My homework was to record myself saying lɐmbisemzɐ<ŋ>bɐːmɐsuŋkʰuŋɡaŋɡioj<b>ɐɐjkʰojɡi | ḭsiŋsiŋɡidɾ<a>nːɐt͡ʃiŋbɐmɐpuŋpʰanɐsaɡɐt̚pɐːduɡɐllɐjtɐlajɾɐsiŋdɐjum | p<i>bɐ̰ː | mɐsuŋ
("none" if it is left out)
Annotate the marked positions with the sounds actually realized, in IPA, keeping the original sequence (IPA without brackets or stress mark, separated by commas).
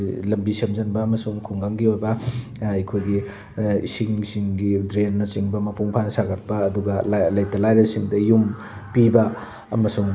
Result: n, b, e, i